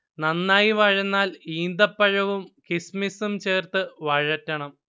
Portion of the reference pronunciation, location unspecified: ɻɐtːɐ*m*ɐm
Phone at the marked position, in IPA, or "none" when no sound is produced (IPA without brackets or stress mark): ɳ